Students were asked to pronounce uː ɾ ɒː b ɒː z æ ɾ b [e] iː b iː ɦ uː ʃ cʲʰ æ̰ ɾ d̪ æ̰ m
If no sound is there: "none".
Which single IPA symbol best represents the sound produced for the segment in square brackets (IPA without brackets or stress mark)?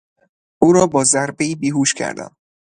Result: e